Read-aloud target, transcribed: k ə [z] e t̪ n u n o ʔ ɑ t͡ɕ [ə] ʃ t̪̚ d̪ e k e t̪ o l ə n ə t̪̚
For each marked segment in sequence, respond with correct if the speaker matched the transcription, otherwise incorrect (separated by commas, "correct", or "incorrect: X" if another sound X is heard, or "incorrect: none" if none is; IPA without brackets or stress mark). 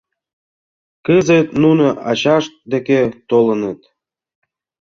correct, incorrect: ɑ